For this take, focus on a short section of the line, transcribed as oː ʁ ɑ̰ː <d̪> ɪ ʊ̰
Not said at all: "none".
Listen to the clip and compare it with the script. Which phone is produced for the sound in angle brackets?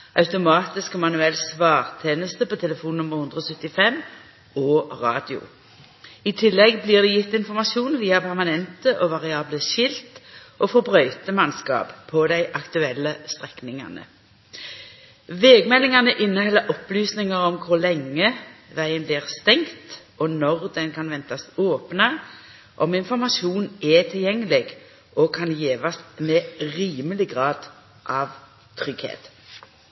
d̪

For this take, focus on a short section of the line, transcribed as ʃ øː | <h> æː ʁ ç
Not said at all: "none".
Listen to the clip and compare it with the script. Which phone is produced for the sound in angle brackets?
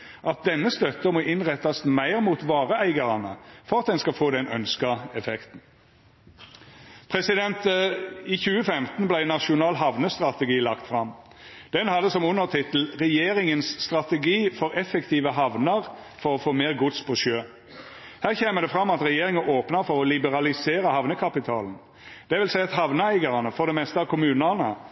h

